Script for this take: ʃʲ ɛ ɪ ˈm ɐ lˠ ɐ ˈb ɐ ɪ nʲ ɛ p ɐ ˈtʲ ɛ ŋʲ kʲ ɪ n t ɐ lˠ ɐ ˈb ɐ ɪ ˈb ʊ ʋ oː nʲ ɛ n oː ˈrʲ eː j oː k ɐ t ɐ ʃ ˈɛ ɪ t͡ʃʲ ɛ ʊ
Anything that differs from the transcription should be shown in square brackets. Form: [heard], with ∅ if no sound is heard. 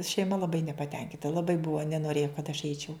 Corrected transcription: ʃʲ ɛ ɪ ˈm ɐ lˠ ɐ ˈb ɐ ɪ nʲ ɛ p ɐ ˈtʲ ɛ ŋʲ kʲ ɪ n t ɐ lˠ ɐ ˈb ɐ ɪ ˈb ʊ ʋ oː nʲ ɛ n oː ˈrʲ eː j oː k ɐ t ɐ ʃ ˈɛ ɪ t͡ʃʲ ɛ ʊ